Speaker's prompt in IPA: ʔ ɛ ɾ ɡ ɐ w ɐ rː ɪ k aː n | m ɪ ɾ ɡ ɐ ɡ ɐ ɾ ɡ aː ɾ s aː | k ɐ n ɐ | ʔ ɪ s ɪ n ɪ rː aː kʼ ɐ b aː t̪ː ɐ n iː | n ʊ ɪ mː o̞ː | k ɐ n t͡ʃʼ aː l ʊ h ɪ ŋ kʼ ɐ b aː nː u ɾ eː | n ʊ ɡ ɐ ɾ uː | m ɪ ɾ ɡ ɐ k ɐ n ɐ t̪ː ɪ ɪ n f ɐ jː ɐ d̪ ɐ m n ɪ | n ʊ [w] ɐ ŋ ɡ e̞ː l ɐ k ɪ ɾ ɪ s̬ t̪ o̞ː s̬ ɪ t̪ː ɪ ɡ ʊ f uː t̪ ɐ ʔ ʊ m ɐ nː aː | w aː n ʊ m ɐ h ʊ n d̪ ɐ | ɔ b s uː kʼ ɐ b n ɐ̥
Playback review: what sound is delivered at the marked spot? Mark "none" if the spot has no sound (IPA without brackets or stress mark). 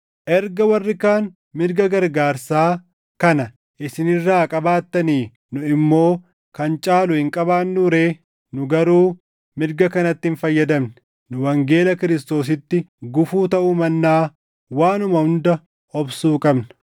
w